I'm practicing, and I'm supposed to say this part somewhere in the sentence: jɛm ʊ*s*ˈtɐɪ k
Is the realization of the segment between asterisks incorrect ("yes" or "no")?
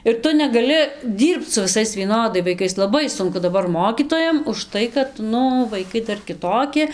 yes